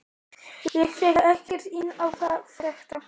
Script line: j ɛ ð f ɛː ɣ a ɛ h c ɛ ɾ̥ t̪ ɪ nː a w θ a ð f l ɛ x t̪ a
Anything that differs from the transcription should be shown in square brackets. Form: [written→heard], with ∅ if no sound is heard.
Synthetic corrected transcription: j ɛ [ð→ɣ] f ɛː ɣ a ɛ h c ɛ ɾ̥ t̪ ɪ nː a w θ a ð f [l→ɾ] ɛ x t̪ a

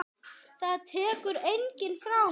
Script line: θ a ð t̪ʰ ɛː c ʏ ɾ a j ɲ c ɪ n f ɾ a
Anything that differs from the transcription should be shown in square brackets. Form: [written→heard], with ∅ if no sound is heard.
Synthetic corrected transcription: θ a ð t̪ʰ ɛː [c→k] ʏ ɾ [a→e] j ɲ c ɪ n f ɾ a

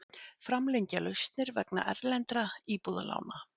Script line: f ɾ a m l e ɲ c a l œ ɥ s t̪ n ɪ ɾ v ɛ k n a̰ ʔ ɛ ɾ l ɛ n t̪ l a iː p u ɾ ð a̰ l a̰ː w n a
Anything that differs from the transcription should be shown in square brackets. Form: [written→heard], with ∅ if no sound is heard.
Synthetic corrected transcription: f ɾ a m l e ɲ c a l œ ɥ s t̪ n ɪ ɾ v ɛ k n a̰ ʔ ɛ ɾ l ɛ n t̪ [l→ɾ] a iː p u [ɾ→∅] ð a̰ l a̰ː w n a

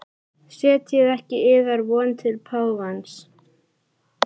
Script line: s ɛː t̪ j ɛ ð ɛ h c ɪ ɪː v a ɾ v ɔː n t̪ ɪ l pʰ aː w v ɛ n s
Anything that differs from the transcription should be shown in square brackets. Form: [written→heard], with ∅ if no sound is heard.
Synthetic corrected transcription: s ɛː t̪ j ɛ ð ɛ h c ɪ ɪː [v→ð] a ɾ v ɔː n [t̪→t̪ʰ] ɪ l pʰ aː w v [ɛ→a] n s

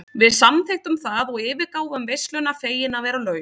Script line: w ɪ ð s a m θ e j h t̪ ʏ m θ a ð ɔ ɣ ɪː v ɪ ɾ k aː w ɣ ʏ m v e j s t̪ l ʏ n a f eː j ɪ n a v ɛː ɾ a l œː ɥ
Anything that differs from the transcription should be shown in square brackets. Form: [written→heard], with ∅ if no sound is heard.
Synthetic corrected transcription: [w→v] ɪ ð s a m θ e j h t̪ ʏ m θ a ð ɔ ɣ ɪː v ɪ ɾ k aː w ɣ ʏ m v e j s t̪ l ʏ n a f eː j ɪ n a v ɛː ɾ a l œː ɥ

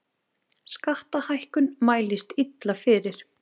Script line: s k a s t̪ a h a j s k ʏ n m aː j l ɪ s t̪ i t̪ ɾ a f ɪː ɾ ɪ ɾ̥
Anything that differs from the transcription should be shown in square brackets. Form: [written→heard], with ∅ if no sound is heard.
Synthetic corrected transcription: s k a [s→h] t̪ a h a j [s→h] k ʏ n m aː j l ɪ s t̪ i t̪ [ɾ→l] a f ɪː ɾ ɪ ɾ̥

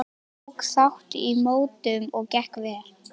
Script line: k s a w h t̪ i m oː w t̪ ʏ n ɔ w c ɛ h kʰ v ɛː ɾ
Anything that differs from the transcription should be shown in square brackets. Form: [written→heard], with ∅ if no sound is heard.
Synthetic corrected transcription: k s a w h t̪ i m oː w t̪ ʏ [n→m] ɔ [w→ɣ] c ɛ h [kʰ→k] v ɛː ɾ

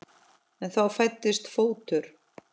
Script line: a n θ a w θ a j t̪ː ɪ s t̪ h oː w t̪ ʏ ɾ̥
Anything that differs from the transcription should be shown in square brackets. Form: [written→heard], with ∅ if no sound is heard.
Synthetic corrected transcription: [a→ɛ] n θ a w [θ→f] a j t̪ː ɪ s t̪ [h→f] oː w t̪ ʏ ɾ̥

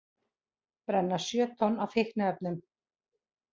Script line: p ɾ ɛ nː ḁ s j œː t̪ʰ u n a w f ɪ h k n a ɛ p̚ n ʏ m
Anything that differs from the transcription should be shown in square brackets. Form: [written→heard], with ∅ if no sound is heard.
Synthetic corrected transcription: p ɾ ɛ nː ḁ s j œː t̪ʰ [u→ɔ] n a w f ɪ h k n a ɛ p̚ n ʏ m

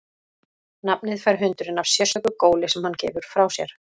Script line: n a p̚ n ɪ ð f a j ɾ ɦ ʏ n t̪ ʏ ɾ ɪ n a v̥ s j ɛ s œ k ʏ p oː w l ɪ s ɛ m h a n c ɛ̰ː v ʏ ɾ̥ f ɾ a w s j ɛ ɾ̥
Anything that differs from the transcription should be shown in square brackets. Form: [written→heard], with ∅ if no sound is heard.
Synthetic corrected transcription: n a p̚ n ɪ ð f a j ɾ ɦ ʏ n t̪ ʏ ɾ ɪ n a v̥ s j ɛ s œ k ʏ [p→k] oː w l ɪ s ɛ m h a n c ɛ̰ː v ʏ ɾ̥ f ɾ a w s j ɛ ɾ̥

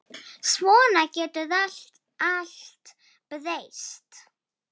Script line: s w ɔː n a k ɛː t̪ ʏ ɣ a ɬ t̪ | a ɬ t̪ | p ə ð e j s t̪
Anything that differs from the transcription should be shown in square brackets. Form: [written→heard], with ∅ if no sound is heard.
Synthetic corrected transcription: s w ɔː n a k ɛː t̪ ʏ [ɣ→ð] a ɬ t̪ | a ɬ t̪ | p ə ð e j s t̪

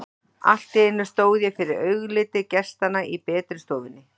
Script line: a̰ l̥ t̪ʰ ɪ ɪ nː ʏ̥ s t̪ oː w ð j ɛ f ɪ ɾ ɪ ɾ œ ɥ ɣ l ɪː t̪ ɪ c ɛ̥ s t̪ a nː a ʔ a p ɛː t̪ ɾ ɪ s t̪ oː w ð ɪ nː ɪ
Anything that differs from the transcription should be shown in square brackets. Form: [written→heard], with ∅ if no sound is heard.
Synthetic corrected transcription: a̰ l̥ [t̪ʰ→t̪] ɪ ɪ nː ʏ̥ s t̪ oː w ð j ɛ f ɪ ɾ ɪ ɾ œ ɥ ɣ l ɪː t̪ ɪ c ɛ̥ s t̪ a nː a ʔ [a→i] p ɛː t̪ ɾ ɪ s t̪ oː w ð ɪ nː ɪ

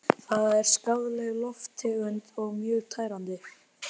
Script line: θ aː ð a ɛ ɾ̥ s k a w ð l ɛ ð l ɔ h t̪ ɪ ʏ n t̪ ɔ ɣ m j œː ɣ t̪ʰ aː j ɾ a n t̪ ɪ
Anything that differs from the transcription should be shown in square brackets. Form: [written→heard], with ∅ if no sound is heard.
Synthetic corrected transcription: θ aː ð a ɛ ɾ̥ s k a w ð l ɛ [ð→ɣ] l ɔ [h→f] t̪ ɪ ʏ n t̪ ɔ ɣ m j œː ɣ t̪ʰ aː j ɾ a n t̪ ɪ

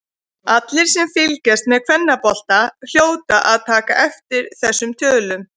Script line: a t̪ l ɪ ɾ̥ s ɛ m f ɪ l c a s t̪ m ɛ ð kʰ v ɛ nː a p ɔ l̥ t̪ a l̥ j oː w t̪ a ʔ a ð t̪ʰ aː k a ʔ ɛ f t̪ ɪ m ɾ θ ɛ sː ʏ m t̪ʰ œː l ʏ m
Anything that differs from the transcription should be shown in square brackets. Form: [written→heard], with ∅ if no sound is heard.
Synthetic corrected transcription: a t̪ l ɪ ɾ̥ s ɛ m f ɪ l c [a→ɛ] s t̪ m ɛ ð kʰ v ɛ nː a p ɔ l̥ t̪ a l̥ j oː w t̪ a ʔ a ð t̪ʰ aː k a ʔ ɛ f t̪ ɪ [m→∅] ɾ θ ɛ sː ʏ m t̪ʰ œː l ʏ m

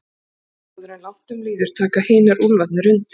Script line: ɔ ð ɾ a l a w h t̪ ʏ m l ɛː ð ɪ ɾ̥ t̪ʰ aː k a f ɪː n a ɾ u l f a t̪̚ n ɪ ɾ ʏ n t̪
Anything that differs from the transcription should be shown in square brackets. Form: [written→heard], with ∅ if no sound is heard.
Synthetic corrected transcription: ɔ ð ɾ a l a w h t̪ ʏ m l [ɛː→iː] ð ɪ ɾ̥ t̪ʰ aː k a [f→h] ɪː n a ɾ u l [f→v] a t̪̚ n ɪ ɾ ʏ n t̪

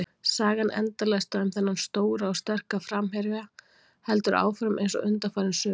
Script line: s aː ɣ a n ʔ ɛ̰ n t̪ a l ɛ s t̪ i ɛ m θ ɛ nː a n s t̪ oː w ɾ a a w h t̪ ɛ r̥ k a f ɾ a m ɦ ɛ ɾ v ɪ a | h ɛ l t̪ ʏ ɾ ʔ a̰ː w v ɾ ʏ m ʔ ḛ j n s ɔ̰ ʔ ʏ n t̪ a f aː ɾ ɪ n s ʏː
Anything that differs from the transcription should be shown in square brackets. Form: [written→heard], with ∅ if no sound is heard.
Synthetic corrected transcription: s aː ɣ a n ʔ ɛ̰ n t̪ a l ɛ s t̪ [i→a] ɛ m θ ɛ nː a n s t̪ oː w ɾ a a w [h→s] t̪ ɛ r̥ k a f ɾ a m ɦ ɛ ɾ v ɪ a | h ɛ l t̪ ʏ ɾ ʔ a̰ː w [v→f] ɾ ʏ m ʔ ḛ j n s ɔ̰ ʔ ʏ n t̪ a f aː ɾ ɪ n s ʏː

